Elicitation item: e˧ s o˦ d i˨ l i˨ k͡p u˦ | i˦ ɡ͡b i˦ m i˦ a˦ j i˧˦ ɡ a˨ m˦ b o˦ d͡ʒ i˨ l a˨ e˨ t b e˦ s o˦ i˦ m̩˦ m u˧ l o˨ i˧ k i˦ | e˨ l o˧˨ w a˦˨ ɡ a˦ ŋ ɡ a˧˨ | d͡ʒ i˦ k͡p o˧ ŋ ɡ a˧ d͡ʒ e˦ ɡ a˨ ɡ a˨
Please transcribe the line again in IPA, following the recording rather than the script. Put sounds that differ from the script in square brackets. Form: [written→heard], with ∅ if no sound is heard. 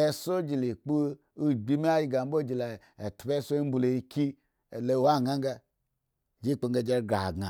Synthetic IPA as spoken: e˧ s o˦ [d→d͡ʒ] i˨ l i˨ k͡p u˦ | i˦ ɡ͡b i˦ m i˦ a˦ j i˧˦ ɡ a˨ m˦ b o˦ d͡ʒ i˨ l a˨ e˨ t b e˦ s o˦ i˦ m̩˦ [m→b] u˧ l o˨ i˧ k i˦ | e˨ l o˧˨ w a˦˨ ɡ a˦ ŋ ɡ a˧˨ | d͡ʒ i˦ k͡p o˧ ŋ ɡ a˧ d͡ʒ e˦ ɡ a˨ ɡ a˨